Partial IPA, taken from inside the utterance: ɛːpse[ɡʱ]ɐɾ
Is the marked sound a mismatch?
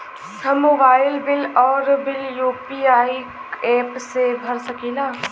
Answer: yes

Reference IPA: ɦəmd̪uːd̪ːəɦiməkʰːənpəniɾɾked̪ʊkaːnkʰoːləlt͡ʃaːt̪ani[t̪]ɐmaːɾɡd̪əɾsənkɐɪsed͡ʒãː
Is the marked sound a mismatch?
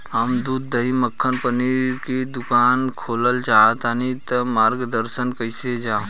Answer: no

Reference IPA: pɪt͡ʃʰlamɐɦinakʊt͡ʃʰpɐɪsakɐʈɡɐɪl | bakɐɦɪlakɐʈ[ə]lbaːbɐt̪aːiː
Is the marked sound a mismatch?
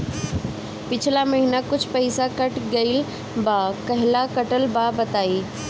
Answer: no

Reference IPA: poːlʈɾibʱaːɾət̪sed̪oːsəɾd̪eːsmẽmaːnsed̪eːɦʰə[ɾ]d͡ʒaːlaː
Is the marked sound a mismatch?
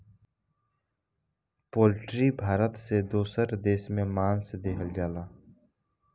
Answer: yes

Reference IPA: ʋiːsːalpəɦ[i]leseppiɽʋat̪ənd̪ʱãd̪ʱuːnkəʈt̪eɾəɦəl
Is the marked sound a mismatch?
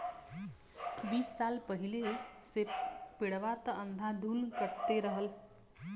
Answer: no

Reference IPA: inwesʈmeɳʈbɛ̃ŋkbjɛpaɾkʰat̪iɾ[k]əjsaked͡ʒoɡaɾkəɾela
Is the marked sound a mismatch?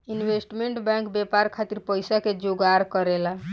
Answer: yes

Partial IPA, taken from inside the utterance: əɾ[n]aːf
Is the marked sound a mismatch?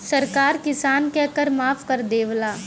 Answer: yes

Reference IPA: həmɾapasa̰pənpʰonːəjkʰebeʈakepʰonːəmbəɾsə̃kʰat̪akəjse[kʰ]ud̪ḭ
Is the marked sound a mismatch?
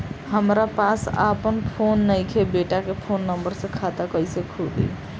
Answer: no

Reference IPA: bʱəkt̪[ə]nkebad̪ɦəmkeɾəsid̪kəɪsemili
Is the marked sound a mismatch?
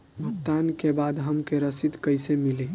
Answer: yes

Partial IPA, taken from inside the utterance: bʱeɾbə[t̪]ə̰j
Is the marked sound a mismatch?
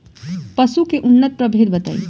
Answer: no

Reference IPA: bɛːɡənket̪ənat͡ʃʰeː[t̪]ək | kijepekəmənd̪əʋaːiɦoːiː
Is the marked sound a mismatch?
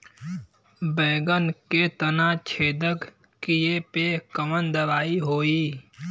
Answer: yes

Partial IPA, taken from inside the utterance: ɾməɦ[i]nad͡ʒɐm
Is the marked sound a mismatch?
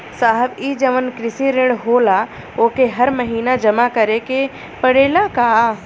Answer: yes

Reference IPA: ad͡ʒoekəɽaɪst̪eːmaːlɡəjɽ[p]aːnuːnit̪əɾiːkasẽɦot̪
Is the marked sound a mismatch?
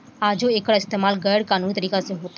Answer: yes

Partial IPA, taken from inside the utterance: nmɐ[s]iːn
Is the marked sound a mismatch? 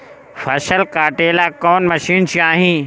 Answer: yes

